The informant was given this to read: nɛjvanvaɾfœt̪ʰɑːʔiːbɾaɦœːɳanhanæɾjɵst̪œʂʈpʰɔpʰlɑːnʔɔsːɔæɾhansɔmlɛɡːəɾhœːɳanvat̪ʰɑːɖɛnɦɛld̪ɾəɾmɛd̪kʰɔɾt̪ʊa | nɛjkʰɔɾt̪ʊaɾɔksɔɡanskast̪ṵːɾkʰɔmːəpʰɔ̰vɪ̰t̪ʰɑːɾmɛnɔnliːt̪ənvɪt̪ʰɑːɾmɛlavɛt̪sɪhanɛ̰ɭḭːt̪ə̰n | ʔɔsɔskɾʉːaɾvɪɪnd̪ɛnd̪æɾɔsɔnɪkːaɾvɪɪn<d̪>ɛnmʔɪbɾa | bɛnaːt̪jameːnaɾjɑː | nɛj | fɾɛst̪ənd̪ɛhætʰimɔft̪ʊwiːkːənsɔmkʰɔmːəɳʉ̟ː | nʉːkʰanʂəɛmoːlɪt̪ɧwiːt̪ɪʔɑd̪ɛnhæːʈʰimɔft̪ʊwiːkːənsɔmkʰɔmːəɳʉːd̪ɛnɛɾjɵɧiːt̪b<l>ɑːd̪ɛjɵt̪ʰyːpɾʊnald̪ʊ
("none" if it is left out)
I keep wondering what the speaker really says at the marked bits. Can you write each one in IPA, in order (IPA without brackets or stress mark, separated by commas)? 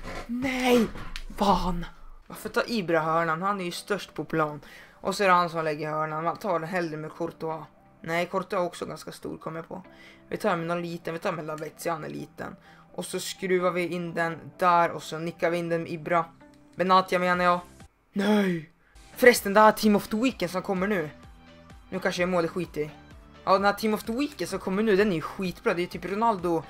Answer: d̪, ɾ